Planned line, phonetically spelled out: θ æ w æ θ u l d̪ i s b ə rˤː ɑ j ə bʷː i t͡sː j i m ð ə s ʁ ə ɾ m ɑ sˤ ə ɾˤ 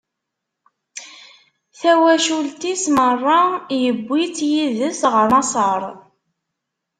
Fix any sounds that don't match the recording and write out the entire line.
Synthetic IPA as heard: θ æ w æ ʃ u l t̪ i s m ə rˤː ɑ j ə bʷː i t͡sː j i ð ə s ʁ ə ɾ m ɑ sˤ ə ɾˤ